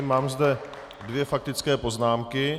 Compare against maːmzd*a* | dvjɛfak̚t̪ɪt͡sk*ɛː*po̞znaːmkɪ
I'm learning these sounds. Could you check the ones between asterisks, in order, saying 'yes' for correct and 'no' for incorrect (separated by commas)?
no, yes